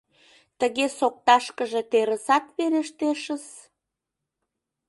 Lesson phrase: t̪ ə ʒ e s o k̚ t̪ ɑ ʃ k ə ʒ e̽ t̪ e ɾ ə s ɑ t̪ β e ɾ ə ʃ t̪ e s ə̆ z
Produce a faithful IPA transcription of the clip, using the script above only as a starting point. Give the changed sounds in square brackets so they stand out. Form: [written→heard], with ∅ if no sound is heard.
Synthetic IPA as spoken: t̪ ə [ʒ→ɣ] e s o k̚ t̪ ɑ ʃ k ə ʒ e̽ t̪ e ɾ ə s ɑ t̪ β e ɾ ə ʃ t̪ e [s→ʃ] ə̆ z